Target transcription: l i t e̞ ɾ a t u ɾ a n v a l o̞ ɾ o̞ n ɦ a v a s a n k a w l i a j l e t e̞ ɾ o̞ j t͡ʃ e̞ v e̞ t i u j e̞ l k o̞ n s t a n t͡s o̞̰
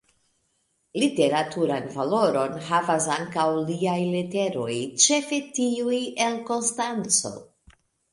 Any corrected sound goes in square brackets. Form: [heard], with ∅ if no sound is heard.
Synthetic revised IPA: l i t e̞ ɾ a t u ɾ a n v a l o̞ ɾ o̞ n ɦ a v a s a [ŋ] k a w l i a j l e t e̞ ɾ o̞ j t͡ʃ e̞ [f] e̞ t i u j e̞ l k o̞ n s t a n t͡s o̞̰

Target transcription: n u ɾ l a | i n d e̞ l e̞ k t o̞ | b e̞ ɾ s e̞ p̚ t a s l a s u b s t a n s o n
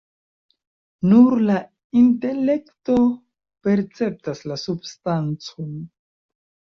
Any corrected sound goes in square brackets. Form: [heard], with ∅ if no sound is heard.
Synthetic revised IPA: n u ɾ l a | i n [t] e̞ l e̞ k t o̞ | [p] e̞ ɾ [t͡s] e̞ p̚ t a s l a s u b s t a n [t͡s] o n

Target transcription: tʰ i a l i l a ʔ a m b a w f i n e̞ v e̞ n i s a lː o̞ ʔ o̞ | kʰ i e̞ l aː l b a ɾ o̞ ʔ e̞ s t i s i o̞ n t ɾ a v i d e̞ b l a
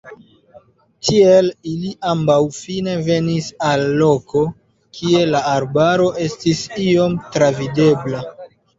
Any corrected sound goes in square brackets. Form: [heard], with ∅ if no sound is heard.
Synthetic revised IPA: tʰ i [e] l i l [i] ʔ a m b a w f i n e̞ v e̞ n i s a lː o̞ [k] o̞ | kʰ i e̞ l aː [ɾ] b a ɾ o̞ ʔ e̞ s t i s i o̞ [m] t ɾ a v i d e̞ b l a

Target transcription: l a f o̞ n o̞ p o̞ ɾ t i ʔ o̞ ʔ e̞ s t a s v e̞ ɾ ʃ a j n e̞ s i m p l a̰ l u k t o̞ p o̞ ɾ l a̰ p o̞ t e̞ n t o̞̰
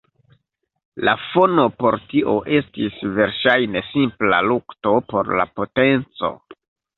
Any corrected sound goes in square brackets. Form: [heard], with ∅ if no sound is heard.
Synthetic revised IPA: l a f o̞ n o̞ p o̞ ɾ t i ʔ o̞ ʔ e̞ s t [i] s v e̞ ɾ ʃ a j n e̞ s i m p l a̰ l u k t o̞ p o̞ ɾ l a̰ p o̞ t e̞ n [t͡s] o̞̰

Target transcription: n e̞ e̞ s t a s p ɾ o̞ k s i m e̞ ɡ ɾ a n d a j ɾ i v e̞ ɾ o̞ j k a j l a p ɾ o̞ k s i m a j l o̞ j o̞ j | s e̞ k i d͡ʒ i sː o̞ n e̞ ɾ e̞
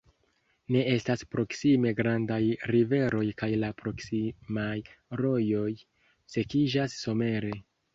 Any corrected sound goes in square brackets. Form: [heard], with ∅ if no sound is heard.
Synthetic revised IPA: n e̞ e̞ s t a s p ɾ o̞ k s i m e̞ ɡ ɾ a n d a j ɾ i v e̞ ɾ o̞ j k a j l a p ɾ o̞ k s i m a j [ɾ] o̞ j o̞ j | s e̞ k i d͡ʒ [a] sː o̞ [m] e̞ ɾ e̞

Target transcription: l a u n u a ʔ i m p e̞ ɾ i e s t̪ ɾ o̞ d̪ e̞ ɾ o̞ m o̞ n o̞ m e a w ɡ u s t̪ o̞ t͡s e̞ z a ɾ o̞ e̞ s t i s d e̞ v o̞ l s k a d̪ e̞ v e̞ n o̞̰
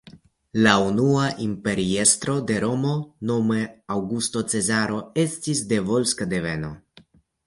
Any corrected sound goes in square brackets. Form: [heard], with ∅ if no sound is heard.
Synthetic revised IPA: l a u n u a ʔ i m p e̞ ɾ i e s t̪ ɾ o̞ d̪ e̞ ɾ o̞ m o̞ n o̞ m e a w ɡ u s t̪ o̞ t͡s e̞ z a ɾ o̞ e̞ s t i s d e̞ v o̞ l s k a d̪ e̞ v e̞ n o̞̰

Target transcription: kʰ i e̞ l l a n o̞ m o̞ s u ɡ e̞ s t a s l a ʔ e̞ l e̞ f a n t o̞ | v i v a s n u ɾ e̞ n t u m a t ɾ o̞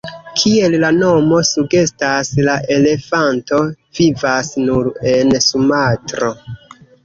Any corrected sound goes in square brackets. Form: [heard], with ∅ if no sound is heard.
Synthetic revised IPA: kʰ i e̞ l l a n o̞ m o̞ s u ɡ e̞ s t a s l a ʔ e̞ l e̞ f a n t o̞ | v i v a s n u ɾ e̞ n [s] u m a t ɾ o̞

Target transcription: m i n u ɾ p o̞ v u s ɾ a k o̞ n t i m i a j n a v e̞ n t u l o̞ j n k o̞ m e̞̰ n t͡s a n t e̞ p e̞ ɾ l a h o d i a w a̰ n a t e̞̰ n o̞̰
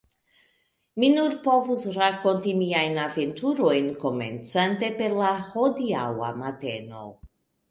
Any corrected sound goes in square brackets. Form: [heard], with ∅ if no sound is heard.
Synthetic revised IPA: m i n u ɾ p o̞ v u s ɾ a k o̞ n t i m i a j n a v e̞ n t u [ɾ] o̞ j n k o̞ m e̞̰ n t͡s a n t e̞ p e̞ ɾ l a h o d i a w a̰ [m] a t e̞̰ n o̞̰

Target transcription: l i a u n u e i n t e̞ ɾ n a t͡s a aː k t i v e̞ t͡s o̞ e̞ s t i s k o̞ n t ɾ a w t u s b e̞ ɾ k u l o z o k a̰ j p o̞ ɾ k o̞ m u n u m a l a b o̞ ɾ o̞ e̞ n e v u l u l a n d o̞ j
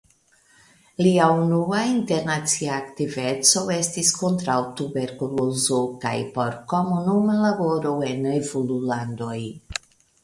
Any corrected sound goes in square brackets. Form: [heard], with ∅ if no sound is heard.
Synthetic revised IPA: l i a u n u [a] i n t e̞ ɾ n a t͡s [i] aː k t i v e̞ t͡s o̞ e̞ s t i s k o̞ n t ɾ a w t u [∅] b e̞ ɾ k u l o z o k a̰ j p o̞ ɾ k o̞ m u n u m a l a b o̞ ɾ o̞ e̞ n e v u l u l a n d o̞ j

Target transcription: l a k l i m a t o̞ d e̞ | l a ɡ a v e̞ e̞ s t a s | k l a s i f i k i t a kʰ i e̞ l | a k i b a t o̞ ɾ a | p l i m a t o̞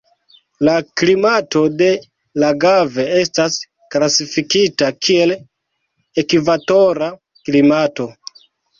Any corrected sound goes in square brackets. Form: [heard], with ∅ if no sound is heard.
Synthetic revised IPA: l a k l i m a t o̞ d e̞ | l a ɡ a v e̞ e̞ s t a s | k l a s i f i k i t a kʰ i e̞ l | [e] k i [v] a t o̞ ɾ a | [k] l i m a t o̞

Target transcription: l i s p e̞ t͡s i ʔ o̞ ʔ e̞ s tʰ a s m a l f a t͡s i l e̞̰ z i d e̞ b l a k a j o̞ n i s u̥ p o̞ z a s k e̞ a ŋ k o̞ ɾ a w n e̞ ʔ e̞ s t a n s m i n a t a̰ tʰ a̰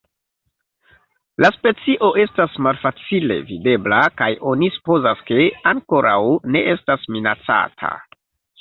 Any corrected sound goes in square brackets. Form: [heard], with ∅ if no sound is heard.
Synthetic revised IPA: l [a] s p e̞ t͡s i ʔ o̞ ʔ e̞ s [t] a s m a l f a t͡s i l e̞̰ [v] i d e̞ b l a k a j o̞ n i s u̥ p o̞ z a s k e̞ a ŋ k o̞ ɾ a w n e̞ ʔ e̞ s t a [∅] s m i n a [t͡s] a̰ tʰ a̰

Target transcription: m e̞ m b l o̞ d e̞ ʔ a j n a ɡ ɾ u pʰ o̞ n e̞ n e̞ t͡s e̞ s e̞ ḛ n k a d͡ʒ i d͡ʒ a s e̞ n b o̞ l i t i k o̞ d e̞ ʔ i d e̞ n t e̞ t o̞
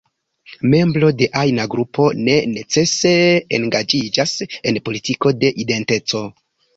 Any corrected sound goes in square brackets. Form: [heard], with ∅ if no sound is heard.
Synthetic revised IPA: m e̞ m b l o̞ d e̞ ʔ a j n a ɡ ɾ u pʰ o̞ n e̞ n e̞ t͡s e̞ s e̞ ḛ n [ɡ] a d͡ʒ i d͡ʒ a s e̞ n [p] o̞ l i t i k o̞ d e̞ ʔ i d e̞ n t e̞ [t͡s] o̞

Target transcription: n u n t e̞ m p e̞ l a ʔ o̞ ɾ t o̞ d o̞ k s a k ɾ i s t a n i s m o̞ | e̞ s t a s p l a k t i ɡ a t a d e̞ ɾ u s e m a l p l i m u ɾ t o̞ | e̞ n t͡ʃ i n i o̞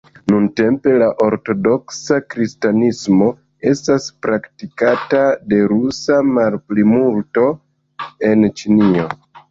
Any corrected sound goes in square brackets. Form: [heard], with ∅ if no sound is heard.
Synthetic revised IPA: n u n t e̞ m p e̞ l a ʔ o̞ ɾ t o̞ d o̞ k s a k ɾ i s t a n i s m o̞ | e̞ s t a s p [ɾ] a k t i [k] a t a d e̞ ɾ u s [a] m a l p l i m u [l] t o̞ | e̞ n t͡ʃ i n i o̞

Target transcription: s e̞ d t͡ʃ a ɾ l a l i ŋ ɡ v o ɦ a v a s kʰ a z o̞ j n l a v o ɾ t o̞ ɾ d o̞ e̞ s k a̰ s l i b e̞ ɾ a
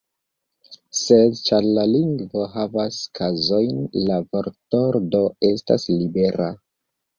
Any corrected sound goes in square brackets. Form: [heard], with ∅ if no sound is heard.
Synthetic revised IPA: s e̞ d t͡ʃ a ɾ l a l i ŋ ɡ v o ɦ a v a s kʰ a z o̞ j n l a v o ɾ t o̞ ɾ d o̞ e̞ s [t] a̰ s l i b e̞ ɾ a

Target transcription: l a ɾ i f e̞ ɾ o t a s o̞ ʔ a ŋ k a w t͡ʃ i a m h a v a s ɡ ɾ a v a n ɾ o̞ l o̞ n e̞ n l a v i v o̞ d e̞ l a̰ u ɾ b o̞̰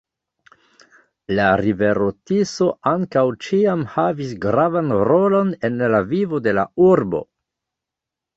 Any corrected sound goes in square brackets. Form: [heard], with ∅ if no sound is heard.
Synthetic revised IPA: l a ɾ i [v] e̞ ɾ o t [i] s o̞ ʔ a ŋ k a w t͡ʃ i a m h a v [i] s ɡ ɾ a v a n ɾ o̞ l o̞ n e̞ n l a v i v o̞ d e̞ l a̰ u ɾ b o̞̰

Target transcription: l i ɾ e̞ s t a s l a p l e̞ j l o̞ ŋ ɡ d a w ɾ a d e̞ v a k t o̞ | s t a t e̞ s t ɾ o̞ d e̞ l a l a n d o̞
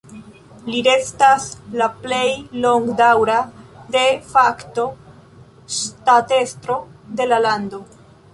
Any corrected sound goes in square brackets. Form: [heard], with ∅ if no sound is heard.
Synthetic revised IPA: l i ɾ e̞ s t a s l a p l e̞ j l o̞ ŋ ɡ d a w ɾ a d e̞ [f] a k t o̞ | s t a t e̞ s t ɾ o̞ d e̞ l a l a n d o̞

